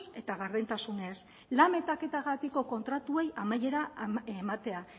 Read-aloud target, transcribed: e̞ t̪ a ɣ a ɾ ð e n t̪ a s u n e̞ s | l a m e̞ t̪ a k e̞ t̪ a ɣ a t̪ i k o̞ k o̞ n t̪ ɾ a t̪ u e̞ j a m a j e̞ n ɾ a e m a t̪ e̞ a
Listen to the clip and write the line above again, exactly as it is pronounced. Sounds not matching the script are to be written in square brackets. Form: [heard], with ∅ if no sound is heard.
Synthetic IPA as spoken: e̞ t̪ a ɣ a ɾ ð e n t̪ a s u n e̞ s | l a m e̞ t̪ a k e̞ t̪ a ɣ a t̪ i k o̞ k o̞ n t̪ ɾ a t̪ u e̞ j a m a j e̞ [∅] ɾ a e m a t̪ e̞ a